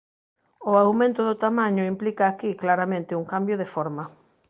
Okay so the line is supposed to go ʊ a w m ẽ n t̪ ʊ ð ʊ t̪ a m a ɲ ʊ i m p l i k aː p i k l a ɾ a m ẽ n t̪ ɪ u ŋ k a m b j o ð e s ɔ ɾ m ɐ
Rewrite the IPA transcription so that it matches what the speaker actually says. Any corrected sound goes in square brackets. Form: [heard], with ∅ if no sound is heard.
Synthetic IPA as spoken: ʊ a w m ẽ n t̪ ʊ ð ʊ t̪ a m a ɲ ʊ i m p l i k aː [k] i k l a ɾ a m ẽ n t̪ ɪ u ŋ k a m b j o ð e [f] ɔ ɾ m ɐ